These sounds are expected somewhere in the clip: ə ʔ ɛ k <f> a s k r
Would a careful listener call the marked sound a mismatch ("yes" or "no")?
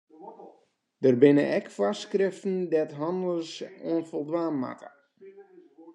no